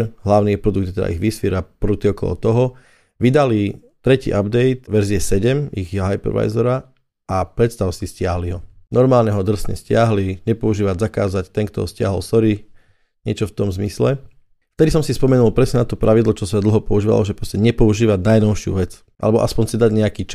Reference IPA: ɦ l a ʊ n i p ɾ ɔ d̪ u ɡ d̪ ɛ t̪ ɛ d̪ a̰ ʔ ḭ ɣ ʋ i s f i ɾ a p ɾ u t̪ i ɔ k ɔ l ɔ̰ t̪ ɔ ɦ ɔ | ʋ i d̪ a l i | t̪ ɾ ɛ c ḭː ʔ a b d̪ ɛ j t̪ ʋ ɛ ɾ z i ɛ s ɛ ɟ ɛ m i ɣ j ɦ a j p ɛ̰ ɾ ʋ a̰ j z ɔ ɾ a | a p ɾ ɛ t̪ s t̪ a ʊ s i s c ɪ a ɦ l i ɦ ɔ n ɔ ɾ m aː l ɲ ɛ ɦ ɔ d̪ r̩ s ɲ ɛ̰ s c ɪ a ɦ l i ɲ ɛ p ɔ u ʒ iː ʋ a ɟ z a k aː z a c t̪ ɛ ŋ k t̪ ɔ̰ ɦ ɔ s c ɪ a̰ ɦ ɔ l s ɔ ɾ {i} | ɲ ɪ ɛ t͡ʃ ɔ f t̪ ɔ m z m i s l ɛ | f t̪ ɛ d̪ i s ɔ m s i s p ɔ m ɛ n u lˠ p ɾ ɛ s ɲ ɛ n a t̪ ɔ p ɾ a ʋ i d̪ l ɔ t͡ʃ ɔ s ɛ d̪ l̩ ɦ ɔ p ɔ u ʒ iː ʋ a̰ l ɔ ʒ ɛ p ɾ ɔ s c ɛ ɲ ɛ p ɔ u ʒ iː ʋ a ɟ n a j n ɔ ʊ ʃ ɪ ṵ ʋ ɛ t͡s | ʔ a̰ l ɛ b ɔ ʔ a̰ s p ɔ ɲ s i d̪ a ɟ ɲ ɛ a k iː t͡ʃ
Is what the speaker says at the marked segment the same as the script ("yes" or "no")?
yes